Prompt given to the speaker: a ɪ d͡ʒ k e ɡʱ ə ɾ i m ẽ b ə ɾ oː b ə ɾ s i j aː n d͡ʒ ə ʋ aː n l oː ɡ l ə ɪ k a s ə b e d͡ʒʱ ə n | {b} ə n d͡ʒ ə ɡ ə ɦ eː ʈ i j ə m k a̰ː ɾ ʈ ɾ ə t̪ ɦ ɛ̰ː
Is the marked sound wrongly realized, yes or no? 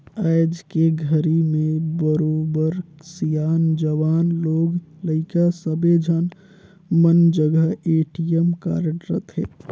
yes